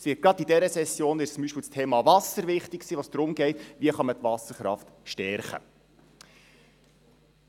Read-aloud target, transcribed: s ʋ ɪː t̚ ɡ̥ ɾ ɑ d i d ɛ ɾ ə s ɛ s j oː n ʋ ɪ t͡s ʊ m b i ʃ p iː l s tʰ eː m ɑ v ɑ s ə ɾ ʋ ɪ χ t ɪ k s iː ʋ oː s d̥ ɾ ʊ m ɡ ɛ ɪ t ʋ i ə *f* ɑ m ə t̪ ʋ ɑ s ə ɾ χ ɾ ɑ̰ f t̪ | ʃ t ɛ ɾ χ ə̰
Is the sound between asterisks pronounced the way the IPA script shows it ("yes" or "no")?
no